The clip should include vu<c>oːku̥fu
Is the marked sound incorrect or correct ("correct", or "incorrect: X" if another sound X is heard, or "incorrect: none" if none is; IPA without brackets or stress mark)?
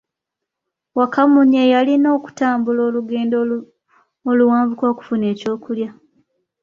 incorrect: k